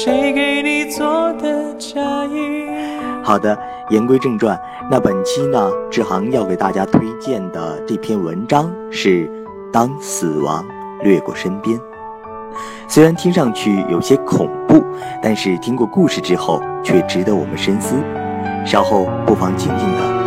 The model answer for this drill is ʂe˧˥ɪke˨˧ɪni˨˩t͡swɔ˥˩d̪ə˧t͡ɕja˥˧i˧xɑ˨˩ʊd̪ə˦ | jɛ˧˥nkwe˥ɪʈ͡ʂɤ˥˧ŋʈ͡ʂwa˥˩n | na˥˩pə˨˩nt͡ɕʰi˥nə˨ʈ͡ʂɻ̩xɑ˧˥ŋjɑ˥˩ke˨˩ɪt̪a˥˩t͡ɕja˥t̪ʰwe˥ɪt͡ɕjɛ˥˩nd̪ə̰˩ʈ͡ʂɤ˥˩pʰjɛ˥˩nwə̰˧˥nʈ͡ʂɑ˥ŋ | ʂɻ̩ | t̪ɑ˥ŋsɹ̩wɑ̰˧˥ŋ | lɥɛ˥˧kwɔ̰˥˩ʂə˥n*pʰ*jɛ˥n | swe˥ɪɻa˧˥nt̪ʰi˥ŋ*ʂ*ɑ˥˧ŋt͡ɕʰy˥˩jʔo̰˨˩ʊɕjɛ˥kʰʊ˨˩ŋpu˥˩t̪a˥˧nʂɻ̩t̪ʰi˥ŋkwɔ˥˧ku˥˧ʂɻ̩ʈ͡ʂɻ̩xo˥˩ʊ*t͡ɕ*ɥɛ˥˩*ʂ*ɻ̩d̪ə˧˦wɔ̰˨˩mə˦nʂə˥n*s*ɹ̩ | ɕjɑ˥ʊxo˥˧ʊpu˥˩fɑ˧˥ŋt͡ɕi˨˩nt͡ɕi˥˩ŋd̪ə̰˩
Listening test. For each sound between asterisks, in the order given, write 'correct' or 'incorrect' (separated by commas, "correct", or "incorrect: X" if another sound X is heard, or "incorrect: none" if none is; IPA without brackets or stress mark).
incorrect: p, correct, incorrect: t͡ɕʰ, incorrect: ʈ͡ʂ, correct